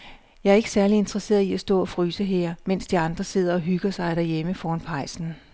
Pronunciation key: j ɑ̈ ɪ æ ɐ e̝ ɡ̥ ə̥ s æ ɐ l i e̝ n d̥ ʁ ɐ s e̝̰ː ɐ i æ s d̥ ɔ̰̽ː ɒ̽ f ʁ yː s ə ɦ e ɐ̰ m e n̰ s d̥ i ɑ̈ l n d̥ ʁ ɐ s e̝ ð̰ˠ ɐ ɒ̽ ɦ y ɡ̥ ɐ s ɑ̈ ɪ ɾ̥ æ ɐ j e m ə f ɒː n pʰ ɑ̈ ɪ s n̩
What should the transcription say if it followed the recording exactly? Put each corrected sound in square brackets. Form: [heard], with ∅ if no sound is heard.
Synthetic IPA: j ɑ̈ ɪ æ ɐ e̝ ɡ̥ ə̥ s æ ɐ l i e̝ n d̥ ʁ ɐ s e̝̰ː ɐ i æ s d̥ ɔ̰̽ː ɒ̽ f ʁ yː s ə ɦ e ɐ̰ m e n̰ s d̥ i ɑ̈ [∅] n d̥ ʁ ɐ s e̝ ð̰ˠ ɐ ɒ̽ ɦ y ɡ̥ ɐ s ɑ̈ ɪ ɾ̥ æ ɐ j e m ə f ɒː n pʰ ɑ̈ ɪ s n̩